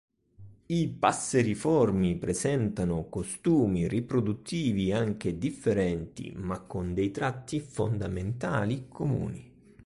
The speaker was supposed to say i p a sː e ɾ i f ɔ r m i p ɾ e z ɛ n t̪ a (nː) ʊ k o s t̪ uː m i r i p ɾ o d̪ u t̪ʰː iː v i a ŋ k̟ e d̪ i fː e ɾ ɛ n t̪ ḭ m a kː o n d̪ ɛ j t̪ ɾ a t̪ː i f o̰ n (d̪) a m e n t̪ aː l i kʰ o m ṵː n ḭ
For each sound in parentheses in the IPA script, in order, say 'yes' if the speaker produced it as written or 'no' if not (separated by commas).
no, yes